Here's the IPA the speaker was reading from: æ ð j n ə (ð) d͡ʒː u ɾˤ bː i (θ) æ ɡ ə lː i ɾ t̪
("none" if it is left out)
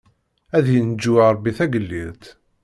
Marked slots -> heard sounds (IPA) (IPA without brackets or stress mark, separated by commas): none, θ